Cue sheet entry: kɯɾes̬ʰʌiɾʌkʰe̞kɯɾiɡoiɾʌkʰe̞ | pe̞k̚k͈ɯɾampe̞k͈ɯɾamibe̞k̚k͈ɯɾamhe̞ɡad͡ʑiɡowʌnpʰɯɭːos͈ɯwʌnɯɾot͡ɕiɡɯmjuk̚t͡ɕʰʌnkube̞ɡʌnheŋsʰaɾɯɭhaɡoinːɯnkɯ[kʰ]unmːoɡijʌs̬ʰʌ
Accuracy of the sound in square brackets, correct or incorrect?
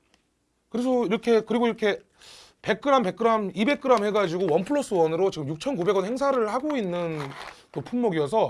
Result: incorrect